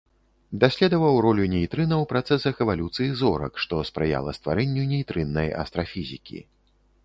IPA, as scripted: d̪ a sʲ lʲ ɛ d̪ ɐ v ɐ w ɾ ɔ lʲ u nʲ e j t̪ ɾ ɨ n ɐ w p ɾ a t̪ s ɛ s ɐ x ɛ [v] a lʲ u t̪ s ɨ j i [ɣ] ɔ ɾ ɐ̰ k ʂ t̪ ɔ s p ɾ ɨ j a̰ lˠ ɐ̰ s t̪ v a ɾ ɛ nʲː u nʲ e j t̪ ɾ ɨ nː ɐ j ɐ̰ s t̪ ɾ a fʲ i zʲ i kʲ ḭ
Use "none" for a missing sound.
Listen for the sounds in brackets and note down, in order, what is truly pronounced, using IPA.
v, z

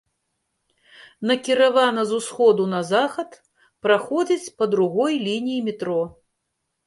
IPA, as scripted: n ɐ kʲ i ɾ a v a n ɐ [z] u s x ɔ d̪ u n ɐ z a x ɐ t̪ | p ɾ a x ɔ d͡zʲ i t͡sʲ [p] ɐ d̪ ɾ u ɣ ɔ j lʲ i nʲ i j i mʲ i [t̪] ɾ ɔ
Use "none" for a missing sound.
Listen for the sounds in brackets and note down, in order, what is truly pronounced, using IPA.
z, p, t̪

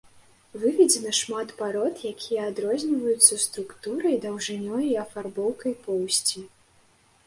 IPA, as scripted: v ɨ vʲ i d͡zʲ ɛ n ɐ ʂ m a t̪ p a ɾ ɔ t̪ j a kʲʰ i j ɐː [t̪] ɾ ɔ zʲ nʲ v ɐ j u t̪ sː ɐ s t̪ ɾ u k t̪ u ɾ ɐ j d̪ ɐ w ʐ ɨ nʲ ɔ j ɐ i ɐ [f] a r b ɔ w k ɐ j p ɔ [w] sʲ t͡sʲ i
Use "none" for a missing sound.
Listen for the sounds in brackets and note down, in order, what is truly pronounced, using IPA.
d̪, f, w

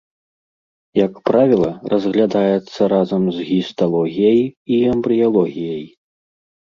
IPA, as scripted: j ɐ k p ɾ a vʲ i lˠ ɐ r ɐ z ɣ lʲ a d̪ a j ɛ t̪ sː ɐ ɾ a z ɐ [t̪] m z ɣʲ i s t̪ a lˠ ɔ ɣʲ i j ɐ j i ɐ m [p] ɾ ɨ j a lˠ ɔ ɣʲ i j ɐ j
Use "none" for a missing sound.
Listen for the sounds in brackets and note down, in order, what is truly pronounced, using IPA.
none, b

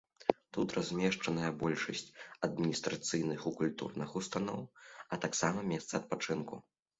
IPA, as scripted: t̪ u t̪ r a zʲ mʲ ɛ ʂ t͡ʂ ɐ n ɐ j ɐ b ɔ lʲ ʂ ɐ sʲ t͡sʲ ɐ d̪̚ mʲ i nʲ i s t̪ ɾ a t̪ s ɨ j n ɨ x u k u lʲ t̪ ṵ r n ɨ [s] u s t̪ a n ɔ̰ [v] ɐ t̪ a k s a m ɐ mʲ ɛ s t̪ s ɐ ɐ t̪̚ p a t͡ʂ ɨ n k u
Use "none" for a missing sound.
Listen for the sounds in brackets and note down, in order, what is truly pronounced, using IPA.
x, w

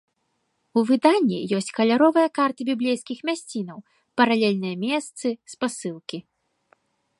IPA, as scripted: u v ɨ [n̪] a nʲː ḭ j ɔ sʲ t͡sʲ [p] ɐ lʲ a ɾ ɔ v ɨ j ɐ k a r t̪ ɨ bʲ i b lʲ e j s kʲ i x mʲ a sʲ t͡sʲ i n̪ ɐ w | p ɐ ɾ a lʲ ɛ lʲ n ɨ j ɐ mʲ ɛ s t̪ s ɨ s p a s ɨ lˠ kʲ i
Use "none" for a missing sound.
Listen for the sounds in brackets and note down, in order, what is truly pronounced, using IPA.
d̪, k

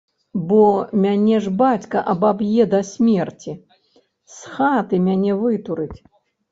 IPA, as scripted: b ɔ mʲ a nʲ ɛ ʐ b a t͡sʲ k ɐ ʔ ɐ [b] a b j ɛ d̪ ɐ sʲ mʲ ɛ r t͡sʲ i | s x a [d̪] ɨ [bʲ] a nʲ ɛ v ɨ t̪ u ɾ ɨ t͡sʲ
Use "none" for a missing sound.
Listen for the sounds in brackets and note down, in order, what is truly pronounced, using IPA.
b, t̪, mʲ

